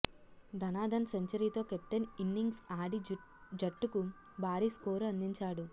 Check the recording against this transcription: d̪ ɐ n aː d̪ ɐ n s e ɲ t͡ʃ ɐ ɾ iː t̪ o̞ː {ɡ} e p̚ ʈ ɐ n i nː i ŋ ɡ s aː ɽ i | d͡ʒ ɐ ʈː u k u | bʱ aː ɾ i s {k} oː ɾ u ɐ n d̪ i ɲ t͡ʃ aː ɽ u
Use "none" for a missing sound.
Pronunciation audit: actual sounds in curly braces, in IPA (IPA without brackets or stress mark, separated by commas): k, k